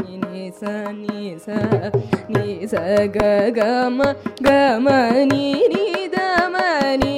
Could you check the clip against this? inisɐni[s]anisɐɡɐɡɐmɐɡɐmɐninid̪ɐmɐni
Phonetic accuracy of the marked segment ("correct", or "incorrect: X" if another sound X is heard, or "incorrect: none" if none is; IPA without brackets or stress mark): correct